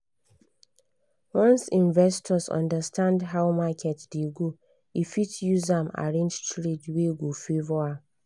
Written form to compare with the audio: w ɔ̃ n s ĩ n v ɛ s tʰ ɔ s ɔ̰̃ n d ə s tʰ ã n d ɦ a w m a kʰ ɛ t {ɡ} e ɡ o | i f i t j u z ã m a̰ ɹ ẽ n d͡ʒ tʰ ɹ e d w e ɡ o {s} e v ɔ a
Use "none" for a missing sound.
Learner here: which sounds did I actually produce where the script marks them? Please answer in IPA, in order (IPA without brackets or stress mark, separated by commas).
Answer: d, f